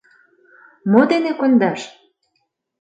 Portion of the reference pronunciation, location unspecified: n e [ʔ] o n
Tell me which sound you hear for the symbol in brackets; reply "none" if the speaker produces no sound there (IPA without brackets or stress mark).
k